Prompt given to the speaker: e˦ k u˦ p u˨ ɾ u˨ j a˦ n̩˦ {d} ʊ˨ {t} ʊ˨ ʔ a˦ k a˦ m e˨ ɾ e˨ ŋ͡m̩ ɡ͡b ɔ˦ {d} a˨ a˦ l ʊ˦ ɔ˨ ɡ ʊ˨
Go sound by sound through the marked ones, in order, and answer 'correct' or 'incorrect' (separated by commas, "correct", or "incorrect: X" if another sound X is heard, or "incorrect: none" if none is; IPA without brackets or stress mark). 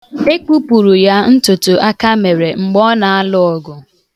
incorrect: t, correct, incorrect: n